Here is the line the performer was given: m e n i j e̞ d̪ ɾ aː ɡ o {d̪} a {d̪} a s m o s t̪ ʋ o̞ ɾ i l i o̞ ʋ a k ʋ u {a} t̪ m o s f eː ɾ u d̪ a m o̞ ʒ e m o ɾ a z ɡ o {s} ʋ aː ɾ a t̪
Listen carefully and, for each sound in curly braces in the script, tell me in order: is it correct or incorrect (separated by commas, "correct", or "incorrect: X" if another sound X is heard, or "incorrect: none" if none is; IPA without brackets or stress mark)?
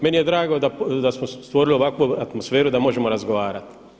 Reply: correct, correct, correct, incorrect: none